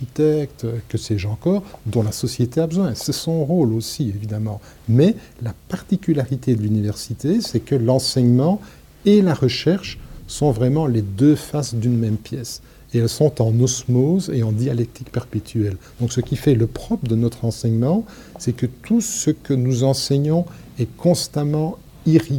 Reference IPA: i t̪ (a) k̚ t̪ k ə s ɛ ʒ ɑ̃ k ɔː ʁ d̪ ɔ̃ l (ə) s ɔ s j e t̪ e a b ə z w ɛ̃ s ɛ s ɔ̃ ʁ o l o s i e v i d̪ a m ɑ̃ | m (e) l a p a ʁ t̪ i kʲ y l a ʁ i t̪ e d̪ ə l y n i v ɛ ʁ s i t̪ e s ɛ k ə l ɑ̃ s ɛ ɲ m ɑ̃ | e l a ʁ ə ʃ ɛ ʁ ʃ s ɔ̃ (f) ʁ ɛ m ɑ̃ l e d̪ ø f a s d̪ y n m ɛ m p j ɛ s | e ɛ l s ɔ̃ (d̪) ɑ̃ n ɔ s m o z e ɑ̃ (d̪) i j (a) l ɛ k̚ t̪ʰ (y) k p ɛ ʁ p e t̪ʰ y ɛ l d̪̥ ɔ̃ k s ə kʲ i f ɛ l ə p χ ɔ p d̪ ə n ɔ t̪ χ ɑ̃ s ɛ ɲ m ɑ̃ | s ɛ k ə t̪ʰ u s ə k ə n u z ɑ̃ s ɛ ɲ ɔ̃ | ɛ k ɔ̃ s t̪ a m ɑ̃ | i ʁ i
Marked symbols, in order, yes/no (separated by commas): no, no, no, no, no, yes, yes, no